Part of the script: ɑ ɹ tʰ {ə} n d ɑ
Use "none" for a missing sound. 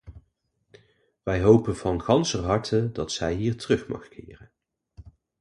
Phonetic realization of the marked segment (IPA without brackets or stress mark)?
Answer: ə